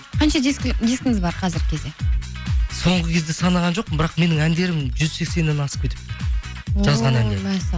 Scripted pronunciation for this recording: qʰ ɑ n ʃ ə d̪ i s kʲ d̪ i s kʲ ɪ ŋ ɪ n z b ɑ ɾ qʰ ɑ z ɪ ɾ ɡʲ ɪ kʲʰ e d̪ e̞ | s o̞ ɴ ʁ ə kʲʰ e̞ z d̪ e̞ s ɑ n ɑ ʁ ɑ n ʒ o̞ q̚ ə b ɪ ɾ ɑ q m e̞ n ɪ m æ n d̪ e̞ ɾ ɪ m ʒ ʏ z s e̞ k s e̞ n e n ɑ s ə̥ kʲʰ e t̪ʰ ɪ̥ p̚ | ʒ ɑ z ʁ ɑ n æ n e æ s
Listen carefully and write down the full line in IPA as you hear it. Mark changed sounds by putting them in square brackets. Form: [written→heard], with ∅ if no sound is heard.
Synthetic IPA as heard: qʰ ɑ n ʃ [ə→ɑ] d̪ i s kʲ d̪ i s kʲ ɪ ŋ ɪ [n→∅] z b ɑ ɾ qʰ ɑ z ɪ ɾ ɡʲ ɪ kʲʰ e d̪ e̞ | s o̞ ɴ ʁ ə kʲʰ e̞ z d̪ e̞ s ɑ n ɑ ʁ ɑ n ʒ o̞ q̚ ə b ɪ ɾ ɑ q m e̞ n ɪ [m→ŋ] æ n d̪ e̞ ɾ ɪ m ʒ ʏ z s e̞ k s e̞ n e n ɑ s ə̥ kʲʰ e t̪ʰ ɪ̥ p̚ | ʒ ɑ z ʁ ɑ n æ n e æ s

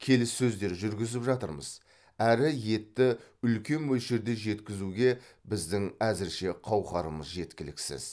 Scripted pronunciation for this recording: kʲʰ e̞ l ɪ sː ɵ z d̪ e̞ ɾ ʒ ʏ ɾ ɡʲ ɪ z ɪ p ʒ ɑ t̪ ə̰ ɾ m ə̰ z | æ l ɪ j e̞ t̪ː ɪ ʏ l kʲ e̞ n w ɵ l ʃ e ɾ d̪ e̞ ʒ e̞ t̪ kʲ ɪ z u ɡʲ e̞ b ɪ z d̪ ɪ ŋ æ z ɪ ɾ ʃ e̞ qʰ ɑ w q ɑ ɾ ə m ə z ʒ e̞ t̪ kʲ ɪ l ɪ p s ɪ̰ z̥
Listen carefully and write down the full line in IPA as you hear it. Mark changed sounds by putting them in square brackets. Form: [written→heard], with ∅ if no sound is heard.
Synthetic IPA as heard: kʲʰ e̞ l ɪ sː ɵ z d̪ e̞ ɾ ʒ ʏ ɾ ɡʲ ɪ z ɪ p ʒ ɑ t̪ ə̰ ɾ m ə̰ z | æ [l→ɾ] ɪ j e̞ t̪ː ɪ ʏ l kʲ e̞ n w ɵ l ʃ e ɾ d̪ e̞ ʒ e̞ t̪ kʲ ɪ z u ɡʲ e̞ b ɪ z d̪ ɪ ŋ æ z ɪ ɾ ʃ e̞ qʰ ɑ w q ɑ ɾ ə m ə z ʒ e̞ t̪ kʲ ɪ l ɪ [p→k] s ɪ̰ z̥

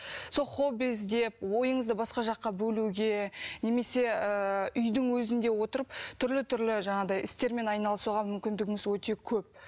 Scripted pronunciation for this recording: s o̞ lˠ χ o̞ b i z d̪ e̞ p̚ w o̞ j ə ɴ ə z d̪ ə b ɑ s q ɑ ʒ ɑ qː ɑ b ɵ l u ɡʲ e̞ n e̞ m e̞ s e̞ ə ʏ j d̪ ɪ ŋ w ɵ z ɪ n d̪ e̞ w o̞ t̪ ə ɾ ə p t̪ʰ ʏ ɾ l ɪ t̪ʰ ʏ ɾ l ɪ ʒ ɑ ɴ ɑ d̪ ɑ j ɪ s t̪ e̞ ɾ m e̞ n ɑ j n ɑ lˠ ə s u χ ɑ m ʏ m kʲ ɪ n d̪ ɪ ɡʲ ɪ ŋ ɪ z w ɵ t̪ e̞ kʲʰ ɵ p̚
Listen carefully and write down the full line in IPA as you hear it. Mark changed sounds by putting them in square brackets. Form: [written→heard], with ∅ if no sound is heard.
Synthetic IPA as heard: s o̞ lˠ χ o̞ b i z d̪ e̞ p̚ w o̞ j ə ɴ ə z d̪ ə b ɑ s q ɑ ʒ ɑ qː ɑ b ɵ l u ɡʲ e̞ n e̞ m e̞ s e̞ ə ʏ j d̪ ɪ ŋ w ɵ z ɪ n d̪ e̞ w o̞ t̪ ə ɾ ə p t̪ʰ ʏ ɾ l ɪ t̪ʰ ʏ ɾ l ɪ ʒ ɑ ɴ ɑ d̪ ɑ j ɪ s t̪ e̞ ɾ m e̞ n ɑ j n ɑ lˠ ə s u [χ→ʁ] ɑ m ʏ m kʲ ɪ n d̪ ɪ ɡʲ ɪ ŋ ɪ z w ɵ t̪ e̞ kʲʰ ɵ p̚

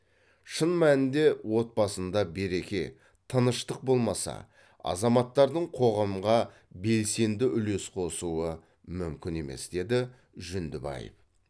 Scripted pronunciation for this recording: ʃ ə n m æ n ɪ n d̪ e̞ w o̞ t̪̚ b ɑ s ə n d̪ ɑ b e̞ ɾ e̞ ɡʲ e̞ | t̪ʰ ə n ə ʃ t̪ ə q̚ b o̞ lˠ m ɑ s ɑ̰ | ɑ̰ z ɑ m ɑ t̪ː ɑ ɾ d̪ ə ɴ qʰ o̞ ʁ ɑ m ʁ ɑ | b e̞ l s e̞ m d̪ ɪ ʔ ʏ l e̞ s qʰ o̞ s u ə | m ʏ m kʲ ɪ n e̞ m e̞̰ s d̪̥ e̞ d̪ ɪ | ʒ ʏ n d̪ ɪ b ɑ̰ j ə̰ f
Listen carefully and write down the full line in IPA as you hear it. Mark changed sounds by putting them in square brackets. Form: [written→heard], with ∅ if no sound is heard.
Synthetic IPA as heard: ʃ ə n m æ n ɪ n d̪ e̞ w o̞ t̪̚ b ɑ s ə n d̪ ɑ b e̞ ɾ e̞ [ɡʲ→kʲ] e̞ | t̪ʰ ə n ə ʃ t̪ ə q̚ b o̞ lˠ m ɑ s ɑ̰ | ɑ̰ z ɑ m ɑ t̪ː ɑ ɾ d̪ ə ɴ qʰ o̞ ʁ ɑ m ʁ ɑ | b e̞ l s e̞ [m→n] d̪ ɪ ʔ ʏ l e̞ s qʰ o̞ s u ə | m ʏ m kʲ ɪ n e̞ m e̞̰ s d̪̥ e̞ d̪ ɪ | ʒ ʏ n d̪ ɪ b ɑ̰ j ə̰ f

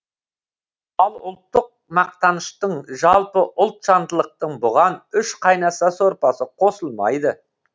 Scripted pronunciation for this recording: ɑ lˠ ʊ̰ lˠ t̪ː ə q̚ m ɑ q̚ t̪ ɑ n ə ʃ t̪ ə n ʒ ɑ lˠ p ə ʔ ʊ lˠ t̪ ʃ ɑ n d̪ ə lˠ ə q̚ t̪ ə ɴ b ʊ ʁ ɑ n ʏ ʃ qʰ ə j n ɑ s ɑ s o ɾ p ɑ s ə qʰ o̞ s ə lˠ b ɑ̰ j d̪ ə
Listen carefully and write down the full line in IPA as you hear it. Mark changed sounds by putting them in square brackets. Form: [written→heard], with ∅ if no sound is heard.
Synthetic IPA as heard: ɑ lˠ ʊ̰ lˠ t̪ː ə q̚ m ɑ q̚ t̪ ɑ n ə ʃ t̪ ə [n→ɴ] ʒ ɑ lˠ p ə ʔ ʊ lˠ t̪ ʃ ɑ n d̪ ə lˠ ə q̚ t̪ ə ɴ b ʊ ʁ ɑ n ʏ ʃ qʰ [ə→ɑ] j n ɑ s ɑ s o ɾ p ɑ s ə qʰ o̞ s ə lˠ [b→m] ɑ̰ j d̪ ə

